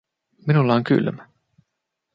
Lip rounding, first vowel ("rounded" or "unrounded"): unrounded